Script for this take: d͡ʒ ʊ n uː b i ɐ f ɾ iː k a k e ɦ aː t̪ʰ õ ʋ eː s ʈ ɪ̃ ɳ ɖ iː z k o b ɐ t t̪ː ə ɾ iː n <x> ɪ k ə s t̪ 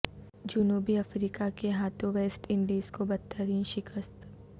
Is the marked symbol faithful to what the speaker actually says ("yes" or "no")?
no